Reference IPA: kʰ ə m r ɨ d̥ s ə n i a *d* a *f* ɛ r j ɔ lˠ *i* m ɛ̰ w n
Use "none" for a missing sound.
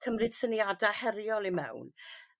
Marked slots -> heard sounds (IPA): d, h, i

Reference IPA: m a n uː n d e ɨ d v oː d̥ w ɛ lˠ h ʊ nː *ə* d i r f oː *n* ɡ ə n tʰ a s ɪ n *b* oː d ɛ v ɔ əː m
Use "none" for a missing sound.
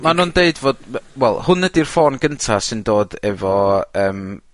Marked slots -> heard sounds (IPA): ə, n, d

